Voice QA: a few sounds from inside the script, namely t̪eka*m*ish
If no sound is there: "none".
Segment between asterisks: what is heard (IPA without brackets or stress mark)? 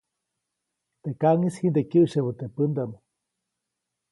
ŋ